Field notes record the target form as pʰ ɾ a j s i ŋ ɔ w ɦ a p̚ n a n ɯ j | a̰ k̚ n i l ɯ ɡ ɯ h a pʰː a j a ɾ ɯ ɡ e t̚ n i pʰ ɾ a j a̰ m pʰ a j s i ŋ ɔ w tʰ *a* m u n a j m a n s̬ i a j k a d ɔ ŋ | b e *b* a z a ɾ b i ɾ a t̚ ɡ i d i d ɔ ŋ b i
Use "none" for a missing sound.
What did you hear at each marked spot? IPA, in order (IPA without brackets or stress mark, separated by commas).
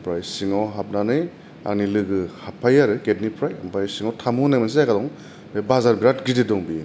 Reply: a, b